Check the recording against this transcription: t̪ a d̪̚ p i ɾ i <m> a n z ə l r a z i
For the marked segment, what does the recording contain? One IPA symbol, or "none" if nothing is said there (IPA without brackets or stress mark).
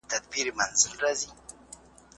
m